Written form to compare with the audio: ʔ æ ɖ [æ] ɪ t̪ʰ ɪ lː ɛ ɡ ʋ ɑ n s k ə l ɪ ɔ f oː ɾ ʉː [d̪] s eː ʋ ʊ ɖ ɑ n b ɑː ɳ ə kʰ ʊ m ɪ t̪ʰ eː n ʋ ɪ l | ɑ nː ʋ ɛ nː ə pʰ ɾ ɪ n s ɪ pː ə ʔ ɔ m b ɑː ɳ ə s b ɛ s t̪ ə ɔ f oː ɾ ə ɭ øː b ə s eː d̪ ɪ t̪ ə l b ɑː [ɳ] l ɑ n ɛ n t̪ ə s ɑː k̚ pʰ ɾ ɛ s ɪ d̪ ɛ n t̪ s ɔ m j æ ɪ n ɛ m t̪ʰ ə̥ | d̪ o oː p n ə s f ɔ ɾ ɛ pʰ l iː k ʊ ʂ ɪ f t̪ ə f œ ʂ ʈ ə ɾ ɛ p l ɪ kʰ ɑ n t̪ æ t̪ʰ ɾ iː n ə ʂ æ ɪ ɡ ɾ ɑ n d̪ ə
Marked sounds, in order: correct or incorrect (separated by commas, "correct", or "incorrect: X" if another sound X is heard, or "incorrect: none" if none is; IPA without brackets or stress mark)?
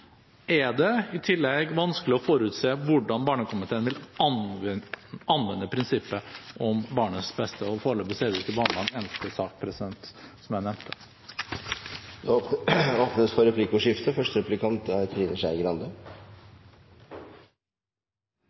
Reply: incorrect: ɛ, incorrect: t̪, correct